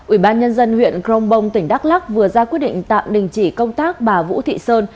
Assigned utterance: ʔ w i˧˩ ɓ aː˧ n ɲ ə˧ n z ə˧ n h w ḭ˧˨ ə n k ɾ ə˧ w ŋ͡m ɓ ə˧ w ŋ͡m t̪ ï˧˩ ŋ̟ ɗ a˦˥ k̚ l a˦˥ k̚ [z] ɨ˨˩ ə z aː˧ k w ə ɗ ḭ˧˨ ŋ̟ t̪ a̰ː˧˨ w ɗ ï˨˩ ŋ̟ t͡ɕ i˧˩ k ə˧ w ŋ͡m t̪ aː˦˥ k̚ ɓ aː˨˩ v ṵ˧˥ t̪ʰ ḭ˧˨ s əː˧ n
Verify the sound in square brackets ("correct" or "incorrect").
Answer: incorrect